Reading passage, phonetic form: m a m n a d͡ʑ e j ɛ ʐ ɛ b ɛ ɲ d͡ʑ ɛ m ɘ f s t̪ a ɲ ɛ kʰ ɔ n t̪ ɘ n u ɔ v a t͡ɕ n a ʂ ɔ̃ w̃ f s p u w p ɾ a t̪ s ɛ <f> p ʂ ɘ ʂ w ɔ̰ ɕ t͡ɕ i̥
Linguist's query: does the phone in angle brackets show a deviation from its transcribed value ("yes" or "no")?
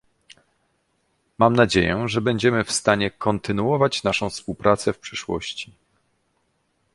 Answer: no